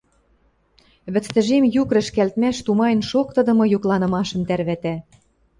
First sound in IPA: β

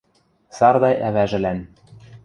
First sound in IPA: s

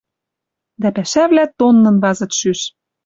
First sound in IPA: d̪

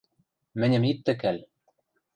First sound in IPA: m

